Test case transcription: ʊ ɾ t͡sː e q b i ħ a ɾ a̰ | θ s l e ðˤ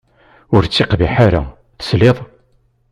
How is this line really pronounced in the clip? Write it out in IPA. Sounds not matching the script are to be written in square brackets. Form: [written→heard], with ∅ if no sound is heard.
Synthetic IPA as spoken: ʊ ɾ t͡sː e q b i ħ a ɾ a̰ | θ s l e ðˤ